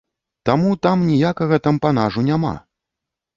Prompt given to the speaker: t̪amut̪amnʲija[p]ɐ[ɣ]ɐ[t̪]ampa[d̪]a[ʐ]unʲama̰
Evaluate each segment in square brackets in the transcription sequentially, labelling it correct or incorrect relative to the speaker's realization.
incorrect, correct, correct, incorrect, correct

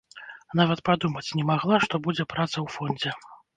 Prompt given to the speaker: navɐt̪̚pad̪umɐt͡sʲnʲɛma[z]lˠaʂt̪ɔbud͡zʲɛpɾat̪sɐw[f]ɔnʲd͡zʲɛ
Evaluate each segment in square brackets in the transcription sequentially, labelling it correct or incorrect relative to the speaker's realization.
incorrect, correct

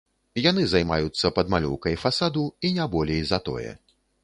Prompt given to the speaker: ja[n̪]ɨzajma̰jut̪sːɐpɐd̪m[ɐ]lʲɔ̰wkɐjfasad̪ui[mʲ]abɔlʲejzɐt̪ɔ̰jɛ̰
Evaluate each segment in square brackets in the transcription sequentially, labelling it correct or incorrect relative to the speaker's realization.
correct, incorrect, incorrect

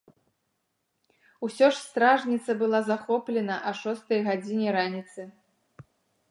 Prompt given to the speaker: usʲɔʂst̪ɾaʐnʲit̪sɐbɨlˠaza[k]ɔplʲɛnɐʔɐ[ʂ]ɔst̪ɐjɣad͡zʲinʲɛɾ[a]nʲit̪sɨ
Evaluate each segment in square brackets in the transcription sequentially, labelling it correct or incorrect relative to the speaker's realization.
incorrect, correct, correct

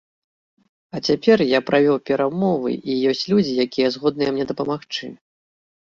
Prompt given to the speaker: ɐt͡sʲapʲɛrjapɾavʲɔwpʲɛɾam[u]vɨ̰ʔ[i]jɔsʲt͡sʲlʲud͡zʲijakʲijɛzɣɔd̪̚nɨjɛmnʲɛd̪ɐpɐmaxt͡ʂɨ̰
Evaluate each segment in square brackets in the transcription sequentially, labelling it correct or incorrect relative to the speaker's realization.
incorrect, correct

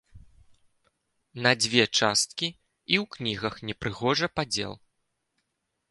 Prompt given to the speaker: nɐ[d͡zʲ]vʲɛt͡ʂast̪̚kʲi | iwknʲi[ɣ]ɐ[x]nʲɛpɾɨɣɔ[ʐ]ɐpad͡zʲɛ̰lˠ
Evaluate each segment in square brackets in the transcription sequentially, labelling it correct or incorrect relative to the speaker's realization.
correct, correct, correct, correct

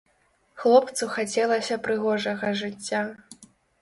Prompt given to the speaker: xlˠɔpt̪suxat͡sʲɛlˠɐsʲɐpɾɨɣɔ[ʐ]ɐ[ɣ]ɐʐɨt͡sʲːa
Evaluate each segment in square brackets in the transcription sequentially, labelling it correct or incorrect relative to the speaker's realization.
correct, correct

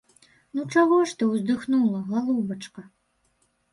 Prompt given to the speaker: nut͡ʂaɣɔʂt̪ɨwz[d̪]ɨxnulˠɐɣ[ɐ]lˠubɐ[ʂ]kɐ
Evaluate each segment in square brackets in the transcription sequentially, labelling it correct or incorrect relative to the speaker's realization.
correct, incorrect, incorrect

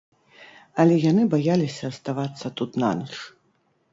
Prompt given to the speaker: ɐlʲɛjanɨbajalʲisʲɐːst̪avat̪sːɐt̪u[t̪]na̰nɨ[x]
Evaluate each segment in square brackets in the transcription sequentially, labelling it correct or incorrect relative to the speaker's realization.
correct, incorrect

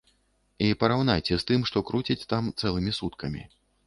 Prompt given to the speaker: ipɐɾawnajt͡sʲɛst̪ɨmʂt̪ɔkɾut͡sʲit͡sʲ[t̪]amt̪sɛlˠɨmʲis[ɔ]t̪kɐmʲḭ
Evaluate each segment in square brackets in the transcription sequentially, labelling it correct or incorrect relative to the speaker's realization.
correct, incorrect

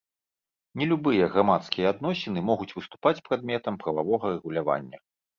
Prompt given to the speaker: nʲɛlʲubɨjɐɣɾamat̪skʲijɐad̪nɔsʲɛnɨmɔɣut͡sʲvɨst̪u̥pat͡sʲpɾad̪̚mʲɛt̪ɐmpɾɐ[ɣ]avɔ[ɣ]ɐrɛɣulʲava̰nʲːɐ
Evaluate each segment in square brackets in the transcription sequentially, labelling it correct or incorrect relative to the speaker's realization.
incorrect, correct

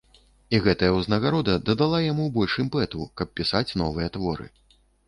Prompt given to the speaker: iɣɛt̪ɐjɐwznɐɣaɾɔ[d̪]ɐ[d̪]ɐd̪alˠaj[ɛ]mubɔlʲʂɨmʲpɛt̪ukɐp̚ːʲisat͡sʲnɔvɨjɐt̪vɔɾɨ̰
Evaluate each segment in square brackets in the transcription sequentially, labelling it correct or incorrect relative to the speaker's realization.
correct, correct, incorrect

